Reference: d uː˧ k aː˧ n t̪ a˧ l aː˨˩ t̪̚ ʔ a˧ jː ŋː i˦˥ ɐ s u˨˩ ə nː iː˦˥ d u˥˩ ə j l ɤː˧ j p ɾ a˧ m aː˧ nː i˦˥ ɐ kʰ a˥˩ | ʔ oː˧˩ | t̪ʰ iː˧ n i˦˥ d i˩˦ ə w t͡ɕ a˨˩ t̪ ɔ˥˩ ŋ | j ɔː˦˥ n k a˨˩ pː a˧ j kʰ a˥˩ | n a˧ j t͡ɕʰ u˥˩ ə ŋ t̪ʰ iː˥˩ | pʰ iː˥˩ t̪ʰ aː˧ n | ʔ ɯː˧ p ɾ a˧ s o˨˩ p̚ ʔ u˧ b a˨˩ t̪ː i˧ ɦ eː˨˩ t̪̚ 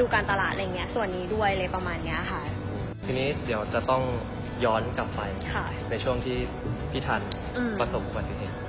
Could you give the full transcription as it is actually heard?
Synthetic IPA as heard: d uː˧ k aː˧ n t̪ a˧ l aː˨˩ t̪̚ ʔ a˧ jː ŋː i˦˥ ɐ s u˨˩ ə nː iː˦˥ d u˥˩ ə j l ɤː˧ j p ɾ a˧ m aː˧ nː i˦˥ ɐ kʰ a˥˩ | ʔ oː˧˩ | t̪ʰ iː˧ n iː˦˥ d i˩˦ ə w t͡ɕ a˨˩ t̪ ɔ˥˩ ŋ | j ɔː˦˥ n k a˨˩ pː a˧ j kʰ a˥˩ | n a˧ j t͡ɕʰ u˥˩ ə ŋ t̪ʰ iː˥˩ | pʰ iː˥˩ t̪ʰ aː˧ n | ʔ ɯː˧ p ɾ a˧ s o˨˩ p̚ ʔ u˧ b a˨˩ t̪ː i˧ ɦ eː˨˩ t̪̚